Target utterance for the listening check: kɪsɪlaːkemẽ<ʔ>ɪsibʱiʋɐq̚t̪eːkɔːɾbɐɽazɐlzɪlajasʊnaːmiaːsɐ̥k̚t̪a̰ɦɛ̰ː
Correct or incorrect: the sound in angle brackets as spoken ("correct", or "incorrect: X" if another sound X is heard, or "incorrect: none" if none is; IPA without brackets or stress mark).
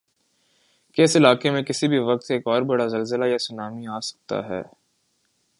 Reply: incorrect: k